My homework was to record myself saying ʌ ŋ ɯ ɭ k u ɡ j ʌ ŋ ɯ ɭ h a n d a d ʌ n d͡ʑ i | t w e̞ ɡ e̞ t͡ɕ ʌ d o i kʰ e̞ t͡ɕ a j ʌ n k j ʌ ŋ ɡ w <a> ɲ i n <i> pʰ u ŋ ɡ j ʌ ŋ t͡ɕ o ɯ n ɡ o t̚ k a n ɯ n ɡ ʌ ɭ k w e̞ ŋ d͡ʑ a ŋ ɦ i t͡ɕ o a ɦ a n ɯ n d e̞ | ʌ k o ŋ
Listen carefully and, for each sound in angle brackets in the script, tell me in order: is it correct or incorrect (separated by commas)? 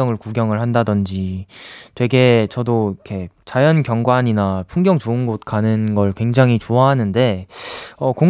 correct, incorrect